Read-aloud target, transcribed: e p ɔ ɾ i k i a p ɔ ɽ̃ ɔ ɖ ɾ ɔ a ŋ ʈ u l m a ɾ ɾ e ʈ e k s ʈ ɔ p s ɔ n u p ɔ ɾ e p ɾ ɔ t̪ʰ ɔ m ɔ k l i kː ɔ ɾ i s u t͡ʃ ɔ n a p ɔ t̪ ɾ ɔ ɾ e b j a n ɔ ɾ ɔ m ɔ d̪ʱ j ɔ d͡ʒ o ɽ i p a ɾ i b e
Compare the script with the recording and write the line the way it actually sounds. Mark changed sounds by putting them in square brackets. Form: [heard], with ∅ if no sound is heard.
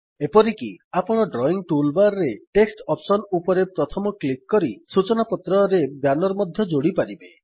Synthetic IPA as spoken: e p ɔ ɾ i k i a p ɔ ɽ̃ ɔ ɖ ɾ ɔ [i] ŋ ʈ u l [b] a ɾ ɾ e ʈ e k s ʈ ɔ p s ɔ n u p ɔ ɾ e p ɾ ɔ t̪ʰ ɔ m ɔ k l i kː ɔ ɾ i s u t͡ʃ ɔ n a p ɔ t̪ ɾ ɔ ɾ e b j a n ɔ ɾ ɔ m ɔ d̪ʱ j ɔ d͡ʒ o ɽ i p a ɾ i b e

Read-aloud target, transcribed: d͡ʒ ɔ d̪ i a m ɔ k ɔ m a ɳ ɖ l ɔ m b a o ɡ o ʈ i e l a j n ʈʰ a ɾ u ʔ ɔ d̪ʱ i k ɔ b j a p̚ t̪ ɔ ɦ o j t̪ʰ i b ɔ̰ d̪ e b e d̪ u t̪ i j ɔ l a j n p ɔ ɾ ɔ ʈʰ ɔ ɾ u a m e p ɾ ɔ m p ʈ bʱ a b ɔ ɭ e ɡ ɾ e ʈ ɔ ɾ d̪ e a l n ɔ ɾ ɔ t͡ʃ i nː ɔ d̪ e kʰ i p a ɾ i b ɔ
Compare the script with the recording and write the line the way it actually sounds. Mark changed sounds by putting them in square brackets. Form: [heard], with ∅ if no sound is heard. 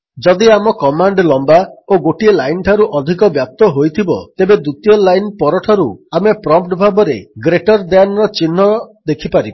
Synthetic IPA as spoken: d͡ʒ ɔ d̪ i a m ɔ k ɔ m a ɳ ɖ l ɔ m b a o ɡ o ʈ i e l a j n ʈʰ a ɾ u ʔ ɔ d̪ʱ i k ɔ b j a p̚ t̪ ɔ ɦ o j t̪ʰ i b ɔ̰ [t̪] e b e d̪ u t̪ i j ɔ l a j n p ɔ ɾ ɔ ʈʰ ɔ ɾ u a m e p ɾ ɔ m p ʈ bʱ a b ɔ [ɾ] e ɡ ɾ e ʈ ɔ ɾ d̪ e a [∅] n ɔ ɾ ɔ t͡ʃ i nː ɔ d̪ e kʰ i p a ɾ i b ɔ

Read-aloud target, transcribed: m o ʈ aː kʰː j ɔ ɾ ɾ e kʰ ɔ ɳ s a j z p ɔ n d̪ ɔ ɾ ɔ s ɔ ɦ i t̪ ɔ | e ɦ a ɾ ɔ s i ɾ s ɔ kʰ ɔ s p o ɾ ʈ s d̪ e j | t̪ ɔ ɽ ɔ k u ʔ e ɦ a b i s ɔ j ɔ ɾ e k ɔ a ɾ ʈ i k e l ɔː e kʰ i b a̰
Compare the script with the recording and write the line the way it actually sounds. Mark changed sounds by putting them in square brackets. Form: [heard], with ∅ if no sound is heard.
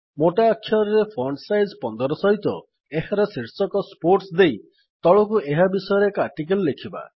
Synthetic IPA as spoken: m o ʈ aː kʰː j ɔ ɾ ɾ e [pʰ] ɔ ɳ s a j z p ɔ n d̪ ɔ ɾ ɔ s ɔ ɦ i t̪ ɔ | e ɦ a ɾ ɔ s i ɾ s ɔ [k] ɔ s p o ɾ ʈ s d̪ e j | t̪ ɔ [ɭ] ɔ k u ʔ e ɦ a b i s ɔ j ɔ ɾ e k ɔ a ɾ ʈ i k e l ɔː e kʰ i b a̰

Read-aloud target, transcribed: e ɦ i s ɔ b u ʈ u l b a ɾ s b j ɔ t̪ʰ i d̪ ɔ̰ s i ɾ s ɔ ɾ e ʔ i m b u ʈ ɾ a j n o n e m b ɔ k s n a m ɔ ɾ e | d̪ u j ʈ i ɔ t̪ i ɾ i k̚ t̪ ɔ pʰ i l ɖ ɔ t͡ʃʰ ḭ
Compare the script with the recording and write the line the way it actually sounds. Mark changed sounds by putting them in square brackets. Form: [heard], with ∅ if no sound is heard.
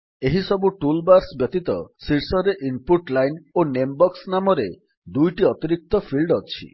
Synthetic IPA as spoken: e ɦ i s ɔ b u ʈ u l b a ɾ s b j ɔ [t̪] i [t̪] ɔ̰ s i ɾ s ɔ ɾ e ʔ i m [p] u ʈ [l] a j n o n e m b ɔ k s n a m ɔ ɾ e | d̪ u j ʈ i ɔ t̪ i ɾ i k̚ t̪ ɔ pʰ i l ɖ ɔ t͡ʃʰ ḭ

